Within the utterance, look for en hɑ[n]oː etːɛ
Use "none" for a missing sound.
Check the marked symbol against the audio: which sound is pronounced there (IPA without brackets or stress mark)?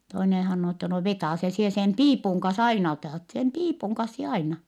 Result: nː